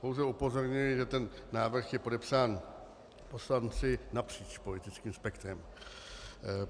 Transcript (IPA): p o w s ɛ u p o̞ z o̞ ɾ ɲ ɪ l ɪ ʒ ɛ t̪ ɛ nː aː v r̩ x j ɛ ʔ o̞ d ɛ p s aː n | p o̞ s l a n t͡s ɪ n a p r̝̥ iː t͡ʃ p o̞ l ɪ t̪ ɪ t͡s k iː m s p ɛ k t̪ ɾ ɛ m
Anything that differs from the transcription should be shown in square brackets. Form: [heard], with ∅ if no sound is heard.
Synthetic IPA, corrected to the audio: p o w [z] ɛ u p o̞ z o̞ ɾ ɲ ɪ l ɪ ʒ ɛ t̪ ɛ nː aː v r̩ x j ɛ [p] o̞ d ɛ p s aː n | p o̞ s l a n t͡s ɪ n a p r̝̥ iː t͡ʃ p o̞ l ɪ t̪ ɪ t͡s k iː m s p ɛ k t̪ ɾ ɛ m